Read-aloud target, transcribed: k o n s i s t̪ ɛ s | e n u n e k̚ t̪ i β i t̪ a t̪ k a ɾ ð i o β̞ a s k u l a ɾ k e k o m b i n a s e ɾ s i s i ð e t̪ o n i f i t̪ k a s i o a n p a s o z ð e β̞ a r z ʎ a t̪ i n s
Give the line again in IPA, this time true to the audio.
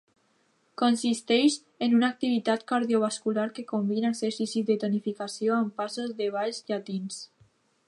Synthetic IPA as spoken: k o n s i s t̪ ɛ ʃ | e n u n a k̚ t̪ i β i t̪ a t̪ k a ɾ ð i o β̞ a s k u l a ɾ k e k o m b i n a s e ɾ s i s i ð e t̪ o n i f i k a s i o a m p a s o z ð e β̞ a ʎ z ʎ a t̪ i n s